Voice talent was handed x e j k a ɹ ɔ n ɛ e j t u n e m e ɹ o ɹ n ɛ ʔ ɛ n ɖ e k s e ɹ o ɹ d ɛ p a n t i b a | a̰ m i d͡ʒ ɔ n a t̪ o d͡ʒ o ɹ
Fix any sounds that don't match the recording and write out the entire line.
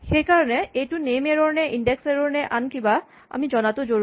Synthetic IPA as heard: x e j k a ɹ ɔ n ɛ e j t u n e m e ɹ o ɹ n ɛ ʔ i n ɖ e k s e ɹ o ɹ n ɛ ʔ a n k i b a | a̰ m i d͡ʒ ɔ n a t̪ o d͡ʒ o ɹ